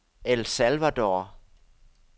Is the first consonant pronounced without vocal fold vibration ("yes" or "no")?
no